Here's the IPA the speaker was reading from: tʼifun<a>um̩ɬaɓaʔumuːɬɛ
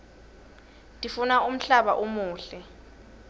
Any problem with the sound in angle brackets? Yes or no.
no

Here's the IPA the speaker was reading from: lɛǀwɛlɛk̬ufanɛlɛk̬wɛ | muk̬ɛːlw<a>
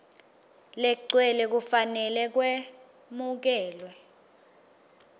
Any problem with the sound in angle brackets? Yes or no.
yes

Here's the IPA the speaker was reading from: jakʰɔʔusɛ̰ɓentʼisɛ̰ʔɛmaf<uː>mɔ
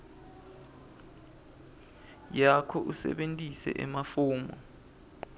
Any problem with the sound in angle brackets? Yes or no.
no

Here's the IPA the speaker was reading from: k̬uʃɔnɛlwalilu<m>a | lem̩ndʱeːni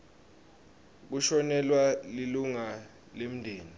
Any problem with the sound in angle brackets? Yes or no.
yes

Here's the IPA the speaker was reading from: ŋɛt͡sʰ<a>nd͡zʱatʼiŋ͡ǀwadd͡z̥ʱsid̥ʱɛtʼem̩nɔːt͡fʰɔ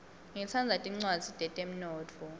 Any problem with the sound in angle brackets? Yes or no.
no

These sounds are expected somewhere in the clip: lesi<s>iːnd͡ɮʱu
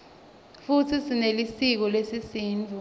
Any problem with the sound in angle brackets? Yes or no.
no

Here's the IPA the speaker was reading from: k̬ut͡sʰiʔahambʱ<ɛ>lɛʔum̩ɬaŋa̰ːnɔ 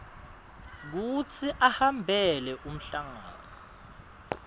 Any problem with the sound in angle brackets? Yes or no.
no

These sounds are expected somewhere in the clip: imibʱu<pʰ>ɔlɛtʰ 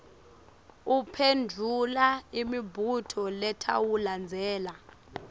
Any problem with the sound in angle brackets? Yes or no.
yes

